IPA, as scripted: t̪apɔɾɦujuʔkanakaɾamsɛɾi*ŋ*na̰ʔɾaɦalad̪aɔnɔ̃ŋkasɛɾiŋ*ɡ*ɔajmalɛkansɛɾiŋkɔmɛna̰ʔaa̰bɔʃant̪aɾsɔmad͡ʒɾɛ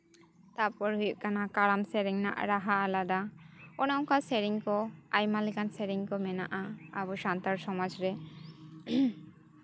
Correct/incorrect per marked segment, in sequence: correct, incorrect

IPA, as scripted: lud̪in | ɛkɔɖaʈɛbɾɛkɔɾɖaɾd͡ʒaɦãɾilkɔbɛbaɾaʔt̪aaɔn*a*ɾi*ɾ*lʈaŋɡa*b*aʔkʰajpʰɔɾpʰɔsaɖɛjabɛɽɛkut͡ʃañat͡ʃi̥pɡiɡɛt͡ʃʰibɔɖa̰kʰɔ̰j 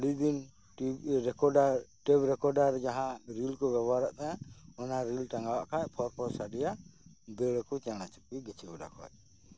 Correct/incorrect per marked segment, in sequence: correct, incorrect, incorrect

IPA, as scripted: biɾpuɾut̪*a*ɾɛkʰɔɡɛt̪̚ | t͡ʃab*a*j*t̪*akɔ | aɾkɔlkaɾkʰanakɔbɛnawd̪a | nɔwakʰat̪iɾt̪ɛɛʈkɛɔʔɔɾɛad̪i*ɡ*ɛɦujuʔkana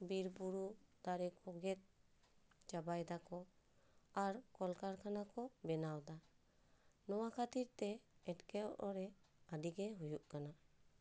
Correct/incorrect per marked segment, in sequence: correct, correct, incorrect, correct

